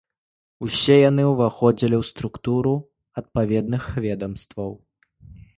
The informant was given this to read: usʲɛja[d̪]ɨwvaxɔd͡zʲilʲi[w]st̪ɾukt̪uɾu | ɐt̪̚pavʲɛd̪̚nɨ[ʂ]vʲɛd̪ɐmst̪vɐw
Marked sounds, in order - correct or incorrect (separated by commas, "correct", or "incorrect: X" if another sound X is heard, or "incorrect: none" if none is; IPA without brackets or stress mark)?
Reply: incorrect: n̪, correct, incorrect: x